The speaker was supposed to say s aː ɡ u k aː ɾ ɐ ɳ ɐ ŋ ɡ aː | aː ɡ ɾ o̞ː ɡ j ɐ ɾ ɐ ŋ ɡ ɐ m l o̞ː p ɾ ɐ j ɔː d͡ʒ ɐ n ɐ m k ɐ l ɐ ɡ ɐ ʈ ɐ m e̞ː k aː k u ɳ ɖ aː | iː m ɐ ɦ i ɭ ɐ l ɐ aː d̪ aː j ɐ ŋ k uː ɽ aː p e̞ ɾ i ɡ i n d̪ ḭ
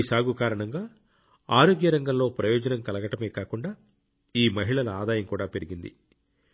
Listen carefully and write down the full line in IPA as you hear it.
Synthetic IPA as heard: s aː ɡ u k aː ɾ ɐ ɳ ɐ ŋ ɡ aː | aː ɾ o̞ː ɡ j ɐ ɾ ɐ ŋ ɡ ɐ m l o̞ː p ɾ ɐ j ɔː d͡ʒ ɐ n ɐ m k ɐ l ɐ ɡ ɐ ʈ ɐ m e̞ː k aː k u ɳ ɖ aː | iː m ɐ ɦ i ɭ ɐ l ɐ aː d̪ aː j ɐ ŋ k uː ɽ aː p e̞ ɾ i ɡ i n d̪ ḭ